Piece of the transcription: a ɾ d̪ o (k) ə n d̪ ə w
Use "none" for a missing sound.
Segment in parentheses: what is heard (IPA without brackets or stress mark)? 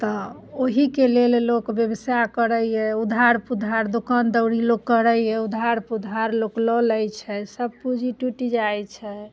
k